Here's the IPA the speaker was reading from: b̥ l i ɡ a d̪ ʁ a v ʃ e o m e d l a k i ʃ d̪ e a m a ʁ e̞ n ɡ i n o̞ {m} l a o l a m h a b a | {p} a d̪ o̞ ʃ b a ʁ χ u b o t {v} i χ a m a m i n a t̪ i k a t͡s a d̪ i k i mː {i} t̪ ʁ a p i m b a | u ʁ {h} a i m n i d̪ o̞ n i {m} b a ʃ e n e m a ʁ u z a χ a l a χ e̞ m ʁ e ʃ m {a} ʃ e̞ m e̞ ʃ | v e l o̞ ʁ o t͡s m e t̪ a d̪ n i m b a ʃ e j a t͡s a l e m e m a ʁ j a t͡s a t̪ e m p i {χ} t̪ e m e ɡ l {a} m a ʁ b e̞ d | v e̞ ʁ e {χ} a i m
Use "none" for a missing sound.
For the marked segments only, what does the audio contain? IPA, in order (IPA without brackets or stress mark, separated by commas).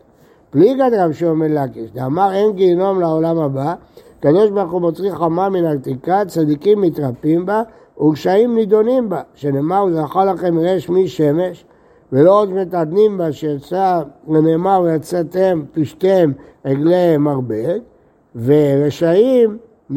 m, k, ʁ, i, ʃ, m, i, ʃ, e, ʃ